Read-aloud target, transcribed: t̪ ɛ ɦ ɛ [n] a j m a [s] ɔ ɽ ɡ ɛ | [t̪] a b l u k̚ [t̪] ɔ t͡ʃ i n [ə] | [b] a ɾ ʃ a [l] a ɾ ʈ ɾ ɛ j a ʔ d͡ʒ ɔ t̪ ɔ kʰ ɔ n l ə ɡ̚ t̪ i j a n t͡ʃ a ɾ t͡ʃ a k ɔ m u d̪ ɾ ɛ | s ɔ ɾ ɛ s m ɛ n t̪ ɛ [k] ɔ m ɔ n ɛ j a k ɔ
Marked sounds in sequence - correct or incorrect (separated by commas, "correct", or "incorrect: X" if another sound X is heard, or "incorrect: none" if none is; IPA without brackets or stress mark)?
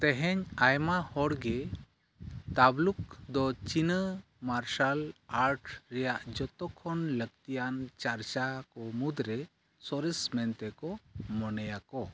incorrect: ɲ, incorrect: h, correct, incorrect: d̪, correct, incorrect: m, correct, correct